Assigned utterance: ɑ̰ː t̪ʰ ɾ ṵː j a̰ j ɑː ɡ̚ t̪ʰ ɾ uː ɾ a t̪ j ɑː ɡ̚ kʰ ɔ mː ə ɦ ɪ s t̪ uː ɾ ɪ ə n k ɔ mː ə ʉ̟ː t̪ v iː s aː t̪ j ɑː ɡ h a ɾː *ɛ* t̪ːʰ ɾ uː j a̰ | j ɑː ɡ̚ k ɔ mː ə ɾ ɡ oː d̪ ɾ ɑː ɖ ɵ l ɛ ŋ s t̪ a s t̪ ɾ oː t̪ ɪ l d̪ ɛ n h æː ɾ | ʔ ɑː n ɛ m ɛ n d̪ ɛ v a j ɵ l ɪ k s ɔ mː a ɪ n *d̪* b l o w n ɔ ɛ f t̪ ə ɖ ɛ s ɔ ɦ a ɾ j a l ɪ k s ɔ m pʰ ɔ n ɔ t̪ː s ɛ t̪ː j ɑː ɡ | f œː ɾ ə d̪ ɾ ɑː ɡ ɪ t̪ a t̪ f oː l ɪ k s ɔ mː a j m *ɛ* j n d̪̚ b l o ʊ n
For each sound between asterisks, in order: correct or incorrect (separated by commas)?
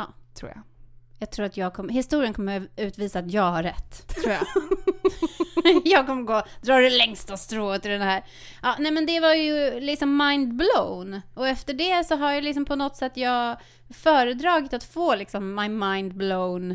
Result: correct, correct, incorrect